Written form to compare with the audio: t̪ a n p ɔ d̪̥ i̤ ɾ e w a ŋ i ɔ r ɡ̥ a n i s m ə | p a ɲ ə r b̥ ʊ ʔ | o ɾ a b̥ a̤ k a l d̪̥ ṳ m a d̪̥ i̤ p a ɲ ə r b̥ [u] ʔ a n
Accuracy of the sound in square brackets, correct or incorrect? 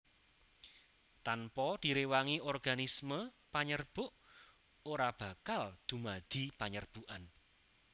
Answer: correct